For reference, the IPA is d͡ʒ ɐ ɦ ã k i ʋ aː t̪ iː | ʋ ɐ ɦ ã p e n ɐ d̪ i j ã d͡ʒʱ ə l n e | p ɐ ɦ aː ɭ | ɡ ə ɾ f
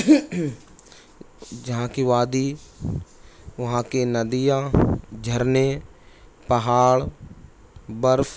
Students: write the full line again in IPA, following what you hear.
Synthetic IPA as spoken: d͡ʒ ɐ ɦ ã k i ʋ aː d̪ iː | ʋ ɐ ɦ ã k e n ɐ d̪ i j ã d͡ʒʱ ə ɾ n e | p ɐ ɦ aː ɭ | b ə ɾ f